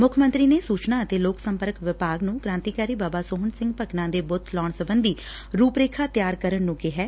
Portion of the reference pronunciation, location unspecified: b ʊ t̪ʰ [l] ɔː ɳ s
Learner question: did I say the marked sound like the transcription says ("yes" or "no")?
yes